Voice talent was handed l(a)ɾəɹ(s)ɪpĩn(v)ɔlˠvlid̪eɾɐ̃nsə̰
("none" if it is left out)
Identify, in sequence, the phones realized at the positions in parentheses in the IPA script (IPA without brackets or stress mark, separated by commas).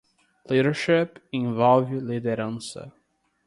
i, ʃ, v